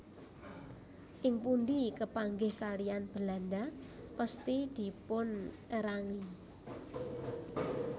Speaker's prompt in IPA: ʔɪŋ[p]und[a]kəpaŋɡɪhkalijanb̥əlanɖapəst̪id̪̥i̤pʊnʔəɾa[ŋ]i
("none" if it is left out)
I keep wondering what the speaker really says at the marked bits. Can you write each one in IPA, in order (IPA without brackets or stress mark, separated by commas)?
p, i, ŋ